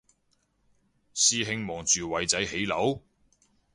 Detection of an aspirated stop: absent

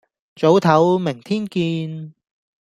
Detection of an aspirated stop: present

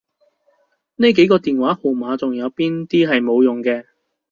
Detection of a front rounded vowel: absent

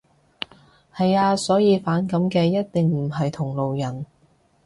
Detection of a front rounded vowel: absent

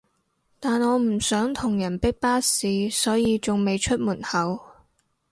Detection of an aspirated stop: present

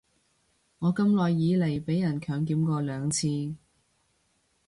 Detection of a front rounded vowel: present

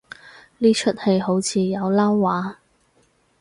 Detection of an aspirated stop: present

